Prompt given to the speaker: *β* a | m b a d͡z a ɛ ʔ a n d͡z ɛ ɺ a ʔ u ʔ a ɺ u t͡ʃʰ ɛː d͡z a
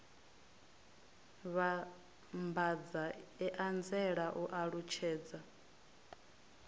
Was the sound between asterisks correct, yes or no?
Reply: yes